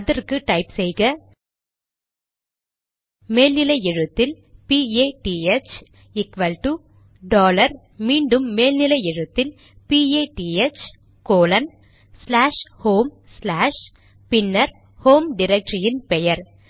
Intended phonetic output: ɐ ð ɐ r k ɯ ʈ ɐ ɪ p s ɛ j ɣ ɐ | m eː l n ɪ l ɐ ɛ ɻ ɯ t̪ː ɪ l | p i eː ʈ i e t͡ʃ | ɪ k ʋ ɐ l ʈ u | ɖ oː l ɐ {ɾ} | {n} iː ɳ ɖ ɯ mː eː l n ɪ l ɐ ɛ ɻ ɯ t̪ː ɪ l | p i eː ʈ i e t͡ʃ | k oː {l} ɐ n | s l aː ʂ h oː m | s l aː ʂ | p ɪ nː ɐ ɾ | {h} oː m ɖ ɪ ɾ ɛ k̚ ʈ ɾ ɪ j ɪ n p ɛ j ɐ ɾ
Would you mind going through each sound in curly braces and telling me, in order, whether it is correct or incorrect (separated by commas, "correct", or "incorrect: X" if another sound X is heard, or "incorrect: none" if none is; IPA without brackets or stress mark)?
correct, incorrect: m, correct, correct